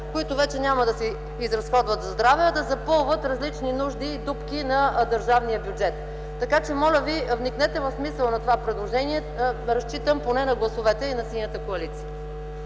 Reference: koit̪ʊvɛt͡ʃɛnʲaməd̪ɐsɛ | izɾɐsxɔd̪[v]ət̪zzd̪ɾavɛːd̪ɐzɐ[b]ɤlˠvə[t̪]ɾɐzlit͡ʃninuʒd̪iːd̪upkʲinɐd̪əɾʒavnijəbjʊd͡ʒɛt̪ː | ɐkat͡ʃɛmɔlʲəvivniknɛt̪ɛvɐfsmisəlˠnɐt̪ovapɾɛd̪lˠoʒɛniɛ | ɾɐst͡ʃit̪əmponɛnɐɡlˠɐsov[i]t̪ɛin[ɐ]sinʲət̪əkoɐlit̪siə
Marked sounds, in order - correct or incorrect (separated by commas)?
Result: correct, incorrect, correct, incorrect, correct